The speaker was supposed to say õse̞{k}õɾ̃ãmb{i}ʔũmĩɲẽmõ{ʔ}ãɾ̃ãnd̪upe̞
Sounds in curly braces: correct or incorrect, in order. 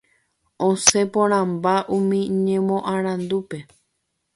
incorrect: p, incorrect: a, correct

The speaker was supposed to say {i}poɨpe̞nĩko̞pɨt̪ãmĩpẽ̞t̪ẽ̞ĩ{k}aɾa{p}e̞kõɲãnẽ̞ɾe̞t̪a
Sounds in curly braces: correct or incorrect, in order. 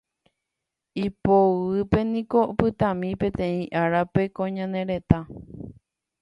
correct, incorrect: ʔ, correct

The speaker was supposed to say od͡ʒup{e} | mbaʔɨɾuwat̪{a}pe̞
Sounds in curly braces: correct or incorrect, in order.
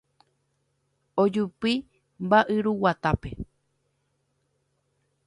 incorrect: i, correct

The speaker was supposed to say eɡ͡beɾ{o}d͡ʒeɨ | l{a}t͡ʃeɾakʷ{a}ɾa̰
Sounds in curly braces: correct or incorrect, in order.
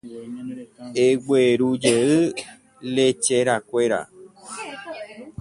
incorrect: u, incorrect: e, incorrect: e

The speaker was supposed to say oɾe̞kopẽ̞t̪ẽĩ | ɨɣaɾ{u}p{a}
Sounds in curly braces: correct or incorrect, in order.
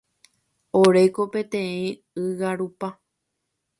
correct, correct

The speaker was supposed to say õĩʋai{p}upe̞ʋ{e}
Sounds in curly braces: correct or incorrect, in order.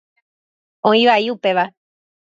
incorrect: none, incorrect: a

